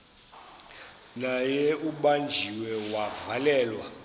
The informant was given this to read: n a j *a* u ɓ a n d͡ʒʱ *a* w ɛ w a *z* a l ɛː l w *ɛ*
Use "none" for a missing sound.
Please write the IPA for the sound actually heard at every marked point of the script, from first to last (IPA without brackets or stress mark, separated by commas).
ɛ, i, v, a